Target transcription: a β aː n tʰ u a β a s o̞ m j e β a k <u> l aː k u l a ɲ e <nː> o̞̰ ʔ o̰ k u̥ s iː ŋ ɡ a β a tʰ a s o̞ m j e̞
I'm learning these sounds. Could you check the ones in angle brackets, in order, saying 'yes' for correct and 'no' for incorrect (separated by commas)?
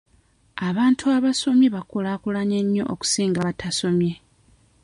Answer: no, no